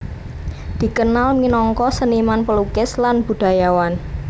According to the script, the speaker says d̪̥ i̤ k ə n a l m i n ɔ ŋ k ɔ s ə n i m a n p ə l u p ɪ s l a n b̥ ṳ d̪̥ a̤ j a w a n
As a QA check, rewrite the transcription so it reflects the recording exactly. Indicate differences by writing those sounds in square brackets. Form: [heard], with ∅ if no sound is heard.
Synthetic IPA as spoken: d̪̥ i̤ k ə n a l m i n ɔ ŋ k ɔ s ə n i m a n p ə l u [k] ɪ s l a n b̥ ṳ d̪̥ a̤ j a w a n